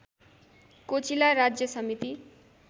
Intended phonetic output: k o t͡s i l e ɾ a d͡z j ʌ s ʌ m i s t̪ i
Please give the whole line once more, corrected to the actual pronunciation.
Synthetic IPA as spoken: k o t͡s i l a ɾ a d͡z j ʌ s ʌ m i t̪ i